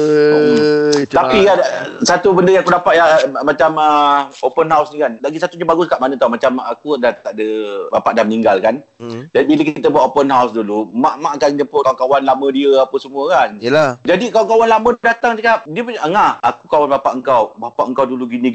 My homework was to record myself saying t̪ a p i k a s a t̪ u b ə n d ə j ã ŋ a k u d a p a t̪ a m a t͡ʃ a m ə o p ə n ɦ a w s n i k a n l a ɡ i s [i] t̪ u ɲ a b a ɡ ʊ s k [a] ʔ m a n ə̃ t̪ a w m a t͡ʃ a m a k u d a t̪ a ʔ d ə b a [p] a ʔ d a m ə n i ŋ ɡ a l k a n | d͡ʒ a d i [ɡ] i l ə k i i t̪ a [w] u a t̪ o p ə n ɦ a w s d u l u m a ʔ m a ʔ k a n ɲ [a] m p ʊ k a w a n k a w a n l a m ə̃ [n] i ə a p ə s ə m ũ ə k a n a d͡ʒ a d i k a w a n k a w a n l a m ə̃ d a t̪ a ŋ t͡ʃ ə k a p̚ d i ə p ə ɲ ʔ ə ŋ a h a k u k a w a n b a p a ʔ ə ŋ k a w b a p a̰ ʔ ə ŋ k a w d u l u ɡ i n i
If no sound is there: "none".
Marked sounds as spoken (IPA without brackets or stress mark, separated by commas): a, a, p, b, b, ə, d